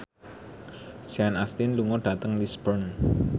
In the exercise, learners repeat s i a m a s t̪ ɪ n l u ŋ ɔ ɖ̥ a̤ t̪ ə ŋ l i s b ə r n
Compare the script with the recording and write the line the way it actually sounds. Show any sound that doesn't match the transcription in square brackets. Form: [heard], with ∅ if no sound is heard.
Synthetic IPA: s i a [n] a s t̪ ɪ n l u ŋ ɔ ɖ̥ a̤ t̪ ə ŋ l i s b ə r n